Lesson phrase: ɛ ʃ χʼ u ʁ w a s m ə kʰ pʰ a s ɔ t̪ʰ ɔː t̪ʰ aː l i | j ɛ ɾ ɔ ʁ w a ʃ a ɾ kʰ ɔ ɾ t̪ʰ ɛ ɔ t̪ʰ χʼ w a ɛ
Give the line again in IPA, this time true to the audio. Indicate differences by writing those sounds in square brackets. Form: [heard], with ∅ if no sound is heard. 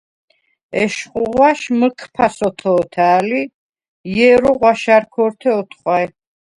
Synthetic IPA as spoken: ɛ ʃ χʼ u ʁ w a [ʃ] m ə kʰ pʰ a s ɔ t̪ʰ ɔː t̪ʰ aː l i | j ɛ ɾ ɔ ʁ w a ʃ a ɾ kʰ ɔ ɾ t̪ʰ ɛ ɔ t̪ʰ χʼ w a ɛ

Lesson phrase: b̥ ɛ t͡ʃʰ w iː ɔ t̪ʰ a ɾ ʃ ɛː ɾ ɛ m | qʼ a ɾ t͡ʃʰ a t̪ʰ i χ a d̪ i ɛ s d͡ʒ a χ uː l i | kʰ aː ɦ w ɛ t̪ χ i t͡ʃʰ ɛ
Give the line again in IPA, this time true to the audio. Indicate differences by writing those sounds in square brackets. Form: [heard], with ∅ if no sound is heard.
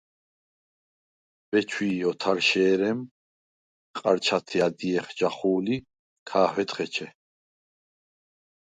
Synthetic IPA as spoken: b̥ ɛ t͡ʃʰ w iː ɔ t̪ʰ a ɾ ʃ ɛː ɾ ɛ m | qʼ a ɾ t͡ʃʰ a t̪ʰ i [∅] a d̪ i ɛ [χ] d͡ʒ a χ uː l i | kʰ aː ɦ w ɛ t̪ χ [ɛ] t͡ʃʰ ɛ

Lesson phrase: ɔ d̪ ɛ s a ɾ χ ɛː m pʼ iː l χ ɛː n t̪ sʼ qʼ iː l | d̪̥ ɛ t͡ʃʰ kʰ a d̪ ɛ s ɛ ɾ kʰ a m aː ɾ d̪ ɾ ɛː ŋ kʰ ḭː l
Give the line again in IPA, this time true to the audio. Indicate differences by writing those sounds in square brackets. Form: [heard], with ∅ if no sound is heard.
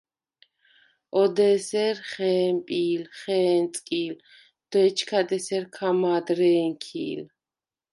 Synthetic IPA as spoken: ɔ d̪ ɛ s [ɛ] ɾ χ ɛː m pʼ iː l χ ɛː n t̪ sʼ [kʼ] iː l | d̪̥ ɛ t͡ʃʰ kʰ a d̪ ɛ s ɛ ɾ kʰ a m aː [∅] d̪ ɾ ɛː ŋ kʰ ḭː l

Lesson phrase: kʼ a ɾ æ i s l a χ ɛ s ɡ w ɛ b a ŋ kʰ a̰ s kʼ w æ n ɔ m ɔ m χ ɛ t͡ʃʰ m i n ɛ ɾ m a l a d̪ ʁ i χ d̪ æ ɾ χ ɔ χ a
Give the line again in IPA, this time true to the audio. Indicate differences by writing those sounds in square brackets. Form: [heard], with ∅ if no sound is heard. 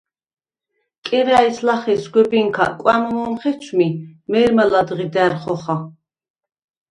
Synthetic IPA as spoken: kʼ [ɛ] ɾ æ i s l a χ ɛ s ɡ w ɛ b [i] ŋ kʰ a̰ [∅] kʼ w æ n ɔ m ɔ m χ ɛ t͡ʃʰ m i [m] ɛ ɾ m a l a d̪ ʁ i [∅] d̪ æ ɾ χ ɔ χ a

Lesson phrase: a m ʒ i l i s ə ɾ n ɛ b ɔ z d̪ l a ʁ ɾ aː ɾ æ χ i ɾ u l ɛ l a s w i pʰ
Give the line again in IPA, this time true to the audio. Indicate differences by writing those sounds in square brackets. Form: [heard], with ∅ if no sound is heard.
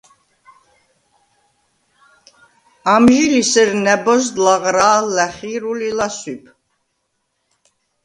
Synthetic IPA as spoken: a m ʒ i l i s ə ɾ n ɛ b ɔ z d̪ l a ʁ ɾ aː [l] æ χ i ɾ u l [i] l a s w i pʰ

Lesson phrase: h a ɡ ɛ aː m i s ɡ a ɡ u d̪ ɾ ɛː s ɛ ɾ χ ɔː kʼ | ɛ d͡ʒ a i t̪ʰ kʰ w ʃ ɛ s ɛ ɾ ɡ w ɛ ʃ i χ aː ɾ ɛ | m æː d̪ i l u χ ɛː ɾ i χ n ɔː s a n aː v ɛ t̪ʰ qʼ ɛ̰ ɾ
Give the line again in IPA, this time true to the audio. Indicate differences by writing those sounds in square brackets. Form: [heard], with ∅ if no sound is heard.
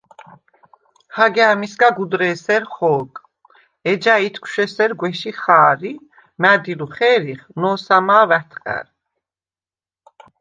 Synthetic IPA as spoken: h a ɡ ɛ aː m i s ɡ a ɡ u d̪ ɾ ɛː s ɛ ɾ χ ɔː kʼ | ɛ d͡ʒ a i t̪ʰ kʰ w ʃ ɛ s ɛ ɾ ɡ w ɛ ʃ i χ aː ɾ [i] | m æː d̪ i l u χ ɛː ɾ i χ n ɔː s a [m] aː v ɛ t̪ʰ qʼ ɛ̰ ɾ

